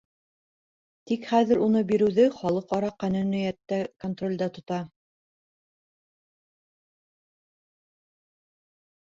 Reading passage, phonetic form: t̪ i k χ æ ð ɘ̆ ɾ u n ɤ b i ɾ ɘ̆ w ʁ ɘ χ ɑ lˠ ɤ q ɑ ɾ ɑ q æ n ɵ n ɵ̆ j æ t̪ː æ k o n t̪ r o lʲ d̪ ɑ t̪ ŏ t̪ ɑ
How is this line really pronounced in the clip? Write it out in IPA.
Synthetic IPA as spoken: t̪ i k χ æ ð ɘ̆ ɾ u n ɤ b i ɾ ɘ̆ w ð ɘ χ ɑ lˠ ɤ q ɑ ɾ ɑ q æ n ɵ n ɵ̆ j æ t̪ː æ k o n t̪ r o lʲ d̪ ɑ t̪ ŏ t̪ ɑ